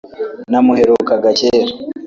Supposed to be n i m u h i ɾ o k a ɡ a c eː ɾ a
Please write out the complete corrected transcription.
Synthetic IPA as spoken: n a m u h e ɾ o k a ɡ a c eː ɾ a